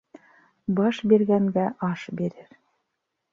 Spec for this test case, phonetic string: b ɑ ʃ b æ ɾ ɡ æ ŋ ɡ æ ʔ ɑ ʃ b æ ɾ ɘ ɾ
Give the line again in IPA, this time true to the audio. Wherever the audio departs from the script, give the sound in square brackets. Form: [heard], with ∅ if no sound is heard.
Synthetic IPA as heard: b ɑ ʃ b [i] ɾ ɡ æ ŋ ɡ æ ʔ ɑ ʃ b [i] ɾ ɘ ɾ